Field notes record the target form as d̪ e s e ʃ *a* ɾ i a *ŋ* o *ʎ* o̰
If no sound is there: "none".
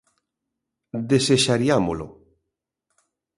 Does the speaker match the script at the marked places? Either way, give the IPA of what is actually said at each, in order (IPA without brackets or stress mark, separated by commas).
a, m, l